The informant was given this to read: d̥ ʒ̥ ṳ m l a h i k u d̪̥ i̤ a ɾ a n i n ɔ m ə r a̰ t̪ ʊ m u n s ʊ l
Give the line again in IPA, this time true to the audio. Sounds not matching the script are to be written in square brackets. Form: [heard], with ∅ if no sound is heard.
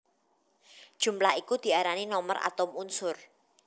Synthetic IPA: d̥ ʒ̥ ṳ m l a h i k u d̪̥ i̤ a ɾ a n i n ɔ m ə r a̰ t̪ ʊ m u n s ʊ [r]